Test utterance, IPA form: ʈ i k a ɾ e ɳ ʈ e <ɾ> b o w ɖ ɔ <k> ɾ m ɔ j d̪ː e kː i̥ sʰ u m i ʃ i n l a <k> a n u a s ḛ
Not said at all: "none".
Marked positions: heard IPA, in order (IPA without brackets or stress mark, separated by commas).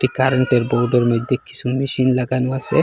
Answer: ɾ, none, ɡ